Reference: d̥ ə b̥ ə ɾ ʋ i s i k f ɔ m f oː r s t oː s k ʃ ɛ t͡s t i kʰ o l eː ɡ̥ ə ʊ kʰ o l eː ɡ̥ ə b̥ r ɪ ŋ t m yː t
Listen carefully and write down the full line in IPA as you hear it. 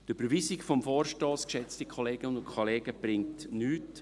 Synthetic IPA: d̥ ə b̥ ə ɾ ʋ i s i k f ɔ m f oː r ʃ t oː s k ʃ ɛ t͡s t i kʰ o l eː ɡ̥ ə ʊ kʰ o l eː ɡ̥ ə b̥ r ɪ ŋ t n yː t